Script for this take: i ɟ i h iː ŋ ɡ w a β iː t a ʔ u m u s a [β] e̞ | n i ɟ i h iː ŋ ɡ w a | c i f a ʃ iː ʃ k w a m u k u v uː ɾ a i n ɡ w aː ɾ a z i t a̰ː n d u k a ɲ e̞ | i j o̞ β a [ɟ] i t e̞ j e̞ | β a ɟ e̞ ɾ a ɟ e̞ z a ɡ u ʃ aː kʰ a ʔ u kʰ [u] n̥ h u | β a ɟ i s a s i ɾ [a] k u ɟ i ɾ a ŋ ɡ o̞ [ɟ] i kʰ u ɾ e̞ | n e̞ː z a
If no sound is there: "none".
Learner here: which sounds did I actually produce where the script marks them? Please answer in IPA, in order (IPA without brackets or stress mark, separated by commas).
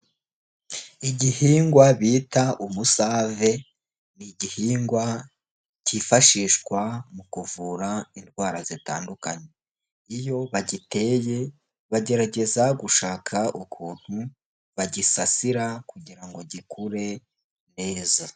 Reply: v, ɟ, uː, a, ɟ